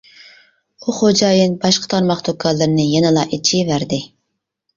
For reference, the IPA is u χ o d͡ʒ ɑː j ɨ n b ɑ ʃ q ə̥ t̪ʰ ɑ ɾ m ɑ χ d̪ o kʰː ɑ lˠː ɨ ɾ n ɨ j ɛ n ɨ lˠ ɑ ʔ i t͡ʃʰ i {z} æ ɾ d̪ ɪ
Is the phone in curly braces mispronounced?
yes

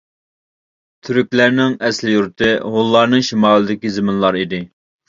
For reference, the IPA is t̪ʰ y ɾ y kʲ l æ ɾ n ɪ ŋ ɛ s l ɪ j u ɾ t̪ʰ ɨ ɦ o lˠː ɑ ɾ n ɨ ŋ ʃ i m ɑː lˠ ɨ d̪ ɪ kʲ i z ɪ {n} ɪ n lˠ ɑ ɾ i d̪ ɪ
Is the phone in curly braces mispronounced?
yes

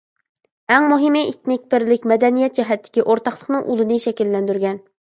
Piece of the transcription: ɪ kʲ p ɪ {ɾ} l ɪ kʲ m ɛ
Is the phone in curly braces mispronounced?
no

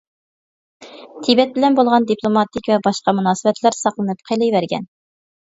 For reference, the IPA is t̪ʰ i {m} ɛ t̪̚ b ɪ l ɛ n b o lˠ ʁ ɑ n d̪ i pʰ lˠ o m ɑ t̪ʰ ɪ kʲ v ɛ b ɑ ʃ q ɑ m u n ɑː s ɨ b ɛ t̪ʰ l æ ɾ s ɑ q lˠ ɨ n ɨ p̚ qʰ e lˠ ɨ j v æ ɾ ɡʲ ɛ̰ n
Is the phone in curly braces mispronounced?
yes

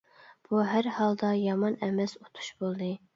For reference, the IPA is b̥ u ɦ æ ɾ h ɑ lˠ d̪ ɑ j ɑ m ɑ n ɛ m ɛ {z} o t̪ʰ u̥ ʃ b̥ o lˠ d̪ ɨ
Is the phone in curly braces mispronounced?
yes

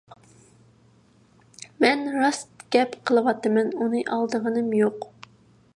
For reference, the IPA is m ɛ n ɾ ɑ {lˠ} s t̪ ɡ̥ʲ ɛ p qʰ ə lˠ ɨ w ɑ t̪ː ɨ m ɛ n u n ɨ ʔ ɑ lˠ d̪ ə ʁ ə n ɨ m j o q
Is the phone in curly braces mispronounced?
yes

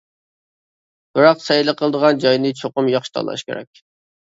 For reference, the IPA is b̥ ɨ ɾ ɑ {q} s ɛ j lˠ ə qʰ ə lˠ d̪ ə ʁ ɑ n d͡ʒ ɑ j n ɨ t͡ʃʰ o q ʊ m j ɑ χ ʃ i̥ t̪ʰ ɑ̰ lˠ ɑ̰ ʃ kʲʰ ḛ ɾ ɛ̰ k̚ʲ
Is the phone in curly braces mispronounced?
no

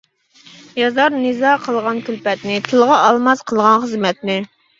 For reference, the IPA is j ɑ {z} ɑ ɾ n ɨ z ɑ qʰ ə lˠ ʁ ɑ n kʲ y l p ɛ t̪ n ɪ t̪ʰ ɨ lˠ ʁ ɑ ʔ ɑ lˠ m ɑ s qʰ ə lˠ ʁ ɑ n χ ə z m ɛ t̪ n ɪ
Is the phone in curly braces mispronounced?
no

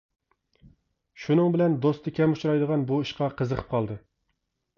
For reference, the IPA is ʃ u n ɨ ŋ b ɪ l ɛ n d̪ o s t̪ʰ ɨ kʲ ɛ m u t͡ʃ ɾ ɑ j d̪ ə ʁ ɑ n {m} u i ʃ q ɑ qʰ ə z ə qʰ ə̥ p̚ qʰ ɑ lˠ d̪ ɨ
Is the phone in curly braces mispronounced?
yes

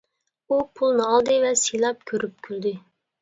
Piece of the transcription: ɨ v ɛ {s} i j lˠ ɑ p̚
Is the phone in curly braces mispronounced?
no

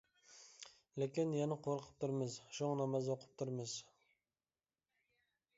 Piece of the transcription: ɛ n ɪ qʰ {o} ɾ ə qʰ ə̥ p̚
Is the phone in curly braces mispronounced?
no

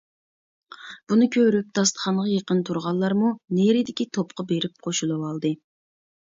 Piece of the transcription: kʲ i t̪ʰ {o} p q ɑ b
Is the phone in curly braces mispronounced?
no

